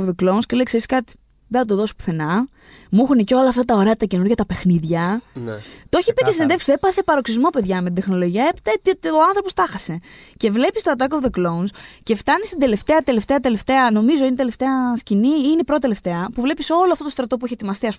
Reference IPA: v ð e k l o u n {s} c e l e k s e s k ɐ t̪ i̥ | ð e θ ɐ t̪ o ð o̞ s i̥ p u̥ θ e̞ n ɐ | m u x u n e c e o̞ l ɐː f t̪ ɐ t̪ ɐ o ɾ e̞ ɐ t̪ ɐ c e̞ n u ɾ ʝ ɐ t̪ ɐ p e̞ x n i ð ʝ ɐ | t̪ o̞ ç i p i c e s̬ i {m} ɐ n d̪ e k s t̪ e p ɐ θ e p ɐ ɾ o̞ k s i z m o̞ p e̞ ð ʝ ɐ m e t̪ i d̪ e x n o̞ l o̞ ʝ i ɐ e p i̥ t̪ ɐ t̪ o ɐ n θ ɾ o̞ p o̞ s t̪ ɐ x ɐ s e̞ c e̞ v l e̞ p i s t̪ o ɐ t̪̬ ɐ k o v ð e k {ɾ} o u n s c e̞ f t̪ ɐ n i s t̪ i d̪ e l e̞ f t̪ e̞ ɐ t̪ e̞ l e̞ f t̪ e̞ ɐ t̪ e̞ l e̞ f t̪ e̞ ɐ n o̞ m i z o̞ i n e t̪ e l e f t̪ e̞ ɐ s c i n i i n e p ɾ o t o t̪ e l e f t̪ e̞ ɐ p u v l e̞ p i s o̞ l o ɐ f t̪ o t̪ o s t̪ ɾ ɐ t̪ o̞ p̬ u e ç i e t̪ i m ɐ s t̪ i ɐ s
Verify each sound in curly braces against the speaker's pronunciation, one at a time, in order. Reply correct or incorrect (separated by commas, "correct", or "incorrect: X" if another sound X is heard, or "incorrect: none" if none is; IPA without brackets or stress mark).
correct, incorrect: n, incorrect: l